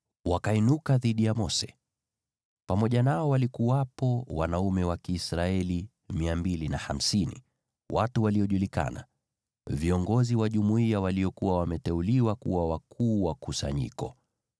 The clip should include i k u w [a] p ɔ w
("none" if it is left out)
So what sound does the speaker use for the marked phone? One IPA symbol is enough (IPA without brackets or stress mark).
a